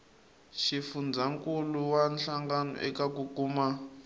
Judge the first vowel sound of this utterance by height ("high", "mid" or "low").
high